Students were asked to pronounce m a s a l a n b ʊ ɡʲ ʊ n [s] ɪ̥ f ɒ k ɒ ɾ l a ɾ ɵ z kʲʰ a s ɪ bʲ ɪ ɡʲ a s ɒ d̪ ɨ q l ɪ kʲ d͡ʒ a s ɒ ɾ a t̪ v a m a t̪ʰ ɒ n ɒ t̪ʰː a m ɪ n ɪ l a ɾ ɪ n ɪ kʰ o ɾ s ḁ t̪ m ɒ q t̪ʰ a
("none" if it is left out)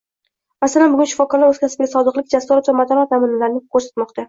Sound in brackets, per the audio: ʃ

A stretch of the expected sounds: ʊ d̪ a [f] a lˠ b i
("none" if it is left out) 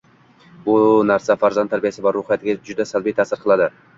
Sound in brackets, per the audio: s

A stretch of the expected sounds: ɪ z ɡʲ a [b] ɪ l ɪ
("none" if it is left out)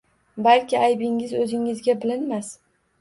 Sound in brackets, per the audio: b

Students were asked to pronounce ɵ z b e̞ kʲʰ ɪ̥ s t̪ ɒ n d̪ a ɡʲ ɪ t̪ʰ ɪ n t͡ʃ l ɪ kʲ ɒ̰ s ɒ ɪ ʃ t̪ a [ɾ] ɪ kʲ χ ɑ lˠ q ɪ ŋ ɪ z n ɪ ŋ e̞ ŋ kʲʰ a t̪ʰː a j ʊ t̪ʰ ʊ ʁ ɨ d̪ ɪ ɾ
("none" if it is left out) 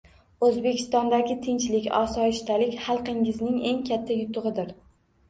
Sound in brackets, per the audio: l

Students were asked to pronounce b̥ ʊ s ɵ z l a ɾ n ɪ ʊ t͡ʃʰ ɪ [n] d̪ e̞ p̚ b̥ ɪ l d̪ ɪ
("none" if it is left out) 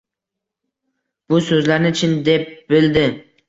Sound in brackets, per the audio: n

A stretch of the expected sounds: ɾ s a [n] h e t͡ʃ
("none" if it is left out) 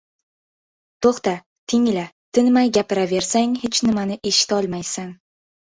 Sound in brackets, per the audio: ŋ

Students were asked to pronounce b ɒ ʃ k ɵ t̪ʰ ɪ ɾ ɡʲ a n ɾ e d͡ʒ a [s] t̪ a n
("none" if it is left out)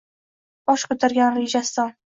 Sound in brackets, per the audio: s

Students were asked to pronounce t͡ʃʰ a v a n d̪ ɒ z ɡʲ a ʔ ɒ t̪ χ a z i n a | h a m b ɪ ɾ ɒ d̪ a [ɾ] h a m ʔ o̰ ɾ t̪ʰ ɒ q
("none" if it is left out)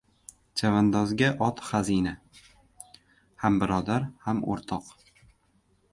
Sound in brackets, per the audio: ɾ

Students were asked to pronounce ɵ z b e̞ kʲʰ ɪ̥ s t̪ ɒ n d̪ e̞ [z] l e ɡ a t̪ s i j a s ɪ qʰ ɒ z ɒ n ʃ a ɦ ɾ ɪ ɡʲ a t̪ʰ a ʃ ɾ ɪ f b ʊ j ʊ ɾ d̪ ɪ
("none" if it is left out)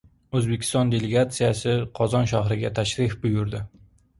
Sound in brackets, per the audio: none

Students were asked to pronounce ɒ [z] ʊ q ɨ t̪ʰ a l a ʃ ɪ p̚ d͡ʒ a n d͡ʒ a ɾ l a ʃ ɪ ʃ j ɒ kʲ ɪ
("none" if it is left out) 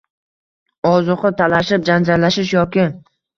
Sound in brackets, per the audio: z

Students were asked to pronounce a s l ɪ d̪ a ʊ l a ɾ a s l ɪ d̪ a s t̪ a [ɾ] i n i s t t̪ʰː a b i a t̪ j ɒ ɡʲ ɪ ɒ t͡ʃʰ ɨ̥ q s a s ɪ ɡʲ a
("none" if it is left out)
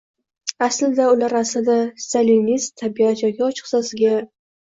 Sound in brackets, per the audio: l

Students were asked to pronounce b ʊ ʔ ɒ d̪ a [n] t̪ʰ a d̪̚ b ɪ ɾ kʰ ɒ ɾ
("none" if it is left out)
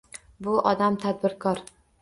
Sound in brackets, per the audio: m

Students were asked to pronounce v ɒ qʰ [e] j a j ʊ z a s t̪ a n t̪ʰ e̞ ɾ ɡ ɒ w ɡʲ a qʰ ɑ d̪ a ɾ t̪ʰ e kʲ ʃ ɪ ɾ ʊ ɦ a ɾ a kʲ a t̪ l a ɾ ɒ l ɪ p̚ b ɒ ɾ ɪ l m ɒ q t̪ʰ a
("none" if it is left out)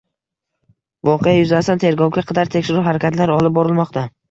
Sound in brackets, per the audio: e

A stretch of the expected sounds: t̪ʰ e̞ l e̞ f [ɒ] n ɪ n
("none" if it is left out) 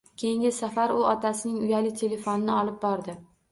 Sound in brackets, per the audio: o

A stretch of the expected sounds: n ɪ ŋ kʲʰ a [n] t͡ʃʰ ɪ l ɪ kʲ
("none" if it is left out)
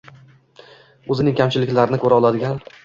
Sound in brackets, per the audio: m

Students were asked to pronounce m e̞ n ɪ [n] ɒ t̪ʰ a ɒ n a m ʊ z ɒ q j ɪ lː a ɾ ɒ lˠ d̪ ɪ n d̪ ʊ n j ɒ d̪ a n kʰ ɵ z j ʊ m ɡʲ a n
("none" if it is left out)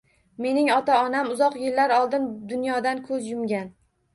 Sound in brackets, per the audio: ŋ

